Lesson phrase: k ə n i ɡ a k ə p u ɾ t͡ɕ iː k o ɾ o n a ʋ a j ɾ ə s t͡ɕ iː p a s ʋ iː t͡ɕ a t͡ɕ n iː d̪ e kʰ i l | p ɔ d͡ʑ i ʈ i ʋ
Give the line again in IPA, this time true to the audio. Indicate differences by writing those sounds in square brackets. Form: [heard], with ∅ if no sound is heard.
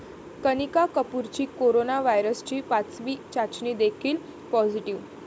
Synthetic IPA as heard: k ə n i [k] a k ə p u ɾ t͡ɕ iː k o ɾ o n a ʋ a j ɾ ə s t͡ɕ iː p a [t͡s] ʋ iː t͡ɕ a t͡ɕ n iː d̪ e kʰ [iː] l | p ɔ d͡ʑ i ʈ i ʋ